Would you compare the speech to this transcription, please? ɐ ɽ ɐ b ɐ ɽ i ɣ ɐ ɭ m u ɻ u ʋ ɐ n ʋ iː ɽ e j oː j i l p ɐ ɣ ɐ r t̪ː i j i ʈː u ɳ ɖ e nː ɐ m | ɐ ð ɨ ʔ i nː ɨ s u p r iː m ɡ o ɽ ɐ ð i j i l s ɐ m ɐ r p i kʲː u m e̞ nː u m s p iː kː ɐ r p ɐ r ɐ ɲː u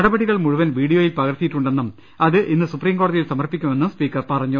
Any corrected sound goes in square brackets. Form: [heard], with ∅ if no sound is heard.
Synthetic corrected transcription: ɐ ɽ ɐ b ɐ ɽ i ɣ ɐ ɭ m u ɻ u ʋ ɐ n ʋ iː ɽ [i] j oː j i l p ɐ ɣ ɐ r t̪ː i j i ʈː u ɳ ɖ e nː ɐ m | ɐ ð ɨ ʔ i nː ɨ s u p r iː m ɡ o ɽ ɐ ð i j i l s ɐ m ɐ r p i kʲː u m e̞ nː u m s p iː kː ɐ r p ɐ r ɐ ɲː u